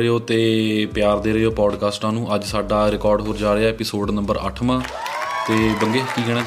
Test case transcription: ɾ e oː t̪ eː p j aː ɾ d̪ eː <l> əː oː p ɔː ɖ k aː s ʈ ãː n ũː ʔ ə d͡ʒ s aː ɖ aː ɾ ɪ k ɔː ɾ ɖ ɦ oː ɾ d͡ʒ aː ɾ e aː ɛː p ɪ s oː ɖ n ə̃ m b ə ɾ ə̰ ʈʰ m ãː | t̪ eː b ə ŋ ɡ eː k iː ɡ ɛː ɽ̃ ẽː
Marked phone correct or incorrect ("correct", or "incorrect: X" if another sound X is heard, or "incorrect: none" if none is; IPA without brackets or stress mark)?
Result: incorrect: ɾ